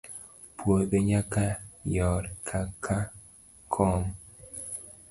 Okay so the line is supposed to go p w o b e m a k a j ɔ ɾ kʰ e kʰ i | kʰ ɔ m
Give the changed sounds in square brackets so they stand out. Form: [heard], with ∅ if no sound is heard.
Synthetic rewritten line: p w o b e [ɲ] a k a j ɔ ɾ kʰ [a] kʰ [a] | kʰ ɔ m